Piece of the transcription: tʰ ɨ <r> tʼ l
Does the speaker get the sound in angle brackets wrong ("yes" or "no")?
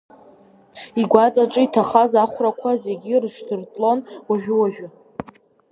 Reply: no